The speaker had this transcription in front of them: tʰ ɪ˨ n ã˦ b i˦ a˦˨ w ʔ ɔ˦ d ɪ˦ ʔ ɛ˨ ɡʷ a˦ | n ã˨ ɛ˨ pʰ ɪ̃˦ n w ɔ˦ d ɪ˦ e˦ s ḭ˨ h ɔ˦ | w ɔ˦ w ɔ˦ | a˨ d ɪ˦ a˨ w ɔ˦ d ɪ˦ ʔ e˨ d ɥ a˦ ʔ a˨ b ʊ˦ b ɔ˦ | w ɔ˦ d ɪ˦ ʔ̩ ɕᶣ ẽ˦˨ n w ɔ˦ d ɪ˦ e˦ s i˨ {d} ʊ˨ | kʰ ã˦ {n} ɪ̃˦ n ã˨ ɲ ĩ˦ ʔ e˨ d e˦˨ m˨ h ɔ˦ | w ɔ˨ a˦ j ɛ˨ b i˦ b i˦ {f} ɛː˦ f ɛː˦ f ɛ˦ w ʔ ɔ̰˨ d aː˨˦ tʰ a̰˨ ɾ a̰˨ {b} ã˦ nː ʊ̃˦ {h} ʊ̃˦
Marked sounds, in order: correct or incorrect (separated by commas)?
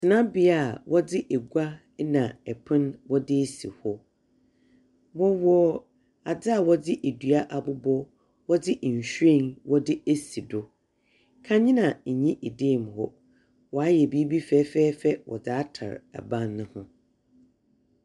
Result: correct, incorrect, correct, correct, correct